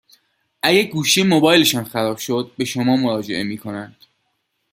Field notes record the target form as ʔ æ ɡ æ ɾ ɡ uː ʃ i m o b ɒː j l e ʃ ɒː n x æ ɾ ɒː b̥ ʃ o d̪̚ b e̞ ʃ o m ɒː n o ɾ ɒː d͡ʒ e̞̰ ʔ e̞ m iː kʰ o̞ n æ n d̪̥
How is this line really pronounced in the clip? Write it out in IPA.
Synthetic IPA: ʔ æ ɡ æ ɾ ɡ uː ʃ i m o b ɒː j l e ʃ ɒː n x æ ɾ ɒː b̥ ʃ o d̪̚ b e̞ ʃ o m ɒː m o ɾ ɒː d͡ʒ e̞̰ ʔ e̞ m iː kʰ o̞ n æ n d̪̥